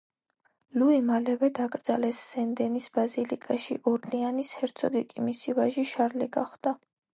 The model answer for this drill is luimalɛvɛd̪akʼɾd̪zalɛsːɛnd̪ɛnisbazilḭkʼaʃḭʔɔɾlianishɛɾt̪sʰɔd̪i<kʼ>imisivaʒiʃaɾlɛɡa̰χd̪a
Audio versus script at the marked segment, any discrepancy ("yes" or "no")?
no